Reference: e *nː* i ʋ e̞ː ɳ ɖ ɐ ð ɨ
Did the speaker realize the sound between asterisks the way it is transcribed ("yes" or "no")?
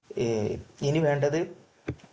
no